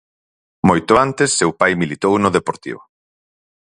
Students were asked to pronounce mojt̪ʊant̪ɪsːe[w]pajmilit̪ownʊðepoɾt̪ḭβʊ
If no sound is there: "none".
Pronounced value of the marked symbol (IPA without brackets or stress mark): w